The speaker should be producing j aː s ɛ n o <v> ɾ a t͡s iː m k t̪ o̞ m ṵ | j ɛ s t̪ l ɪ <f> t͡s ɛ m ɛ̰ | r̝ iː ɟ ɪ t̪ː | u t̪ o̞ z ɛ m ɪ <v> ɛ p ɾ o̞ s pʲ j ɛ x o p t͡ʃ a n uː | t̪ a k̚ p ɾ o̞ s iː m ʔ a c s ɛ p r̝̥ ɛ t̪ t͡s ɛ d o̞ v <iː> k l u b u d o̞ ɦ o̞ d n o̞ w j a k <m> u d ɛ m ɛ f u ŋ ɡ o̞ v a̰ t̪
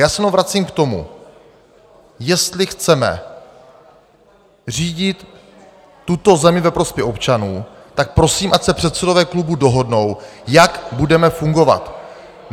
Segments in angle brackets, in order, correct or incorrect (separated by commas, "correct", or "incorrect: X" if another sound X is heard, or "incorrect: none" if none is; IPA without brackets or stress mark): correct, incorrect: x, correct, incorrect: ɛː, incorrect: b